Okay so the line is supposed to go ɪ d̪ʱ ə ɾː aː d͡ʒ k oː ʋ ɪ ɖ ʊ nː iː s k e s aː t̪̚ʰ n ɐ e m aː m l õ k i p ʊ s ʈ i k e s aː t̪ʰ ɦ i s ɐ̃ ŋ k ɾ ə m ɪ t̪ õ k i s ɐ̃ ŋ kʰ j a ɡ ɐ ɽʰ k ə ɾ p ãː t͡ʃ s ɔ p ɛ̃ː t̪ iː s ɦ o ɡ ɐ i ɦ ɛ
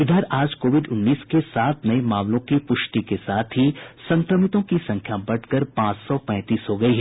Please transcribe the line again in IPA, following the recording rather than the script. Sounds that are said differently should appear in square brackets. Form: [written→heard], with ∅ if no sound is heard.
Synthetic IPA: ɪ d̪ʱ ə [ɾː→ɾ] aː d͡ʒ k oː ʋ ɪ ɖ ʊ nː iː s k e s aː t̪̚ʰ n ɐ e m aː m l õ k i p ʊ [s→ʃ] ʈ i k e s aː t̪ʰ ɦ i s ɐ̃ ŋ k ɾ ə m ɪ t̪ õ k i s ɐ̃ ŋ kʰ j a [ɡ→b] ɐ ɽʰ k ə ɾ p ãː t͡ʃ s ɔ p ɛ̃ː t̪ iː s ɦ o ɡ ɐ i ɦ ɛ